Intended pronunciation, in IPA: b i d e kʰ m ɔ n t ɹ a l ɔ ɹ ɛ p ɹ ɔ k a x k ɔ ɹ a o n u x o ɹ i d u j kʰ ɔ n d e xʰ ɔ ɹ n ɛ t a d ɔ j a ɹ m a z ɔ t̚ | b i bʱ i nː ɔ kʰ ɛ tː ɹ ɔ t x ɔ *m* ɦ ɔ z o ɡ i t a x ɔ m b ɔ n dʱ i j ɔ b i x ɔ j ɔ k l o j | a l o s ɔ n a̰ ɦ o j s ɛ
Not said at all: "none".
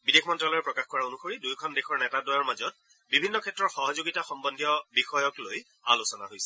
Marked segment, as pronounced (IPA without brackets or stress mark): none